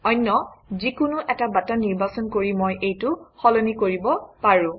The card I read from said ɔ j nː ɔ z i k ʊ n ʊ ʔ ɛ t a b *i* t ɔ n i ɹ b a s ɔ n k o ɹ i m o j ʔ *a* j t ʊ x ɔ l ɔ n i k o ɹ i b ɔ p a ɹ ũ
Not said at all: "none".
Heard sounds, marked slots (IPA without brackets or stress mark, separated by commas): a, e